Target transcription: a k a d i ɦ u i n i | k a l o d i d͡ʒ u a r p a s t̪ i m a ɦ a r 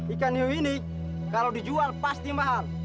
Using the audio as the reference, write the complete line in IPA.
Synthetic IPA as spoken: i k a n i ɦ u i n i | k a l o d i d͡ʒ u a l p a s t̪ i m a ɦ a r